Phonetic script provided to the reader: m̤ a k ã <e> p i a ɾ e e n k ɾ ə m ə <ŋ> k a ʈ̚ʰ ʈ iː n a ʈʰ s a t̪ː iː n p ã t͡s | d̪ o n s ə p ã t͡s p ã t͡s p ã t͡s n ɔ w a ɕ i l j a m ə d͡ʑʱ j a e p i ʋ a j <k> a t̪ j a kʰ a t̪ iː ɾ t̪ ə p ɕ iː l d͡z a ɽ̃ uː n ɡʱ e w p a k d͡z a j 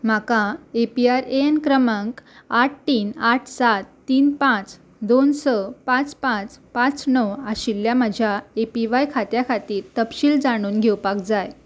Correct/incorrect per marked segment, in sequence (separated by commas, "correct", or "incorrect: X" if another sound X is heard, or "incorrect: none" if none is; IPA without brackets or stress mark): correct, correct, incorrect: kʰ